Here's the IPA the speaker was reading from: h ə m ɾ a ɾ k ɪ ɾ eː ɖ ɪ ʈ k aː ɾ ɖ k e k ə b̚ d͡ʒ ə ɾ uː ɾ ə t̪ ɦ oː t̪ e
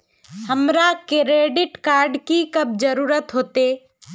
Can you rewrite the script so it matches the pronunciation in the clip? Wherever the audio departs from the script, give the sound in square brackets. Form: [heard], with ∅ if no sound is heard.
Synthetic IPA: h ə m ɾ a [∅] k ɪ ɾ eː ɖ ɪ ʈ k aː ɾ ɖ k [i] k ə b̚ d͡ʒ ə ɾ uː ɾ ə t̪ ɦ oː t̪ e